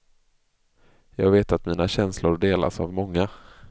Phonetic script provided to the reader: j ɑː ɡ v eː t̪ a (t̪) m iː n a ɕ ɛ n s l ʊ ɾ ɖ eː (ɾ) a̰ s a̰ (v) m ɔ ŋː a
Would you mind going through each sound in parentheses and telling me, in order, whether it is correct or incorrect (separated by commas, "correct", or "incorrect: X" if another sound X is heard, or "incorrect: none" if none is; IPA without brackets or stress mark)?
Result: correct, incorrect: l, correct